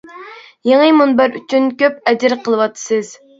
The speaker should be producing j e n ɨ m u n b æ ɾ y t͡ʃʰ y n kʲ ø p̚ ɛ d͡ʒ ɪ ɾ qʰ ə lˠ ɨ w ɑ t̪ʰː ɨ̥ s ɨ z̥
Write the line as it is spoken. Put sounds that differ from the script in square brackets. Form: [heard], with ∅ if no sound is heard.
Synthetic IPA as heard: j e [ŋ] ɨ m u n b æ ɾ y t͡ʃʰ y n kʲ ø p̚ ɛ d͡ʒ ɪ ɾ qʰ ə lˠ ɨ w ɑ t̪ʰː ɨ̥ s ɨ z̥